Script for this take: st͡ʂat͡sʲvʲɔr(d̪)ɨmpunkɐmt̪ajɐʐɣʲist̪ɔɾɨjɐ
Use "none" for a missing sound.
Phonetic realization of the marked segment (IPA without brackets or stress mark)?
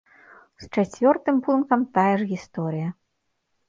t̪